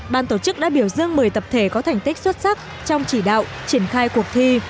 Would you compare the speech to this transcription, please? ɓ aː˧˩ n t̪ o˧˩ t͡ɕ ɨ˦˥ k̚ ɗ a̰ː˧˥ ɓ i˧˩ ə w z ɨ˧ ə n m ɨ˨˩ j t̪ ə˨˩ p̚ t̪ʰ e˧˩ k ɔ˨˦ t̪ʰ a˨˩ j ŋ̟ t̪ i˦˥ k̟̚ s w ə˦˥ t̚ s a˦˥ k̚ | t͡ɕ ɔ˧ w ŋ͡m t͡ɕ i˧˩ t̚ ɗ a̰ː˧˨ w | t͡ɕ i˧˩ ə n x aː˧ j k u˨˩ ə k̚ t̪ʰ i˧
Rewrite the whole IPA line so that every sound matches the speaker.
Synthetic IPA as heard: ɓ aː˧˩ n t̪ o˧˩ t͡ɕ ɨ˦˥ k̚ ɗ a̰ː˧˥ ɓ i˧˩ ə w z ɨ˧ ə ŋ m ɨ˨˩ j t̪ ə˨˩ p̚ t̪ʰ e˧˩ k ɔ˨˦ t̪ʰ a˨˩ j ŋ̟ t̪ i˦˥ k̟̚ s w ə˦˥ t̚ s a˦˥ k̚ | t͡ɕ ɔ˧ w ŋ͡m t͡ɕ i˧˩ ɗ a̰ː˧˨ w | t͡ɕ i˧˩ ə n x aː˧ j k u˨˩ ə k̚ t̪ʰ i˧